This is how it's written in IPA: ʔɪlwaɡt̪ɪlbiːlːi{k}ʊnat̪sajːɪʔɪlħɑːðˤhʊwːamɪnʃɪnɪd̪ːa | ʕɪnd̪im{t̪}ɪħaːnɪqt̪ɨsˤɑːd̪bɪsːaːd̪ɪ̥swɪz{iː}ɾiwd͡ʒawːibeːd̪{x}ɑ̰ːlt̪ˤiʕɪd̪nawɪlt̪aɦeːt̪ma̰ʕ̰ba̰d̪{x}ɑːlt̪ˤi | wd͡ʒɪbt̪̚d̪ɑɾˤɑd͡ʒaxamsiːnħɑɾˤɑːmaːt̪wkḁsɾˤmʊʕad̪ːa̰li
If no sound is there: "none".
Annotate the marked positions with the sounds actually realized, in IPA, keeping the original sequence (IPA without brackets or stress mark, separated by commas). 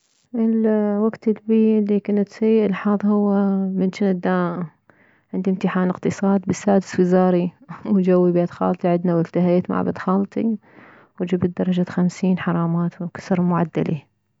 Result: k, t̪, aː, x, x